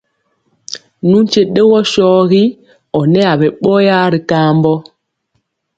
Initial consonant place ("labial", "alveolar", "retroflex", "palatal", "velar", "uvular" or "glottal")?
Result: alveolar